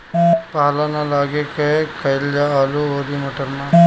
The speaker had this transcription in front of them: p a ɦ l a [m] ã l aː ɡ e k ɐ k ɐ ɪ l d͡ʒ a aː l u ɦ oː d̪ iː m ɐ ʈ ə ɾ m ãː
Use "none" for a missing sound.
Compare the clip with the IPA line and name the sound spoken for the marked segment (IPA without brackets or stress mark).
n